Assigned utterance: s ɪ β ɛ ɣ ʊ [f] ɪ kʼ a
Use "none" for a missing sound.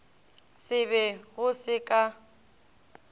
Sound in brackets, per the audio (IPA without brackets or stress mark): s